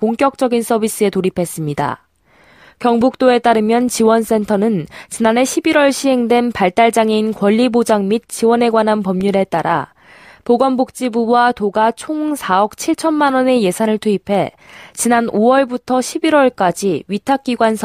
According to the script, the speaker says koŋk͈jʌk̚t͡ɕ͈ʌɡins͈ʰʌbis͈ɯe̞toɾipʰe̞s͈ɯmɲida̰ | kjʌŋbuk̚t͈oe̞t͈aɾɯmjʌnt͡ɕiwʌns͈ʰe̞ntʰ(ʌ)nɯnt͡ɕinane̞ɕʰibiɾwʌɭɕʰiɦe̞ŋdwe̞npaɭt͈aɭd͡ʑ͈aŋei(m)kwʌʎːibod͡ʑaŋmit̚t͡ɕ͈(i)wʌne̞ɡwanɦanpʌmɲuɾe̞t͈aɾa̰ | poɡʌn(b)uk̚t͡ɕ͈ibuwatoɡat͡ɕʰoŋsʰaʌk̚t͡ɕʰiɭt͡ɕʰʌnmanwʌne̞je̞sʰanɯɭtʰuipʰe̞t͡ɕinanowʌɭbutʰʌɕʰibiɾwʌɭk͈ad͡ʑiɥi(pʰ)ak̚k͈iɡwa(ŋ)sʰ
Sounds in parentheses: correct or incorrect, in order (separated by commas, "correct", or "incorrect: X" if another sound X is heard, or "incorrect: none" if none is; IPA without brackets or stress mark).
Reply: correct, incorrect: n, correct, correct, incorrect: tʰ, incorrect: n